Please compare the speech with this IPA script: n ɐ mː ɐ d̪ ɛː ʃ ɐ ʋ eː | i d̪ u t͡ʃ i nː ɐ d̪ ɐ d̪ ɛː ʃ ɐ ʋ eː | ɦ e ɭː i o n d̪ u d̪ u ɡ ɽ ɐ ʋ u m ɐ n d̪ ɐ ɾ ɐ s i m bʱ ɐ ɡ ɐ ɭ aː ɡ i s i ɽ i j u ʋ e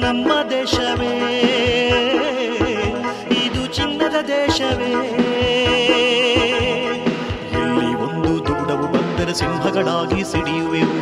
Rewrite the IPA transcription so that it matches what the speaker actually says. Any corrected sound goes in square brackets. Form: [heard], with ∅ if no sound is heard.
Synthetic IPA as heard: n ɐ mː ɐ d̪ ɛː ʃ ɐ ʋ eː | i d̪ u t͡ʃ i nː ɐ d̪ ɐ d̪ ɛː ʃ ɐ ʋ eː | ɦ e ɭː i o n d̪ u d̪ u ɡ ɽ ɐ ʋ u [b] ɐ n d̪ ɐ ɾ ɐ s i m bʱ ɐ ɡ ɐ ɭ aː ɡ i s i ɽ i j u ʋ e